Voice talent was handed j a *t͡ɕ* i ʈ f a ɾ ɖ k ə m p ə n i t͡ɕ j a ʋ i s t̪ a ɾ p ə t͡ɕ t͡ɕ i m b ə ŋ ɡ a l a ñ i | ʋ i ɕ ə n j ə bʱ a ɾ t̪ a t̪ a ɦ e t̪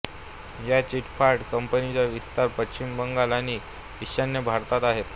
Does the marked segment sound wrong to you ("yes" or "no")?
no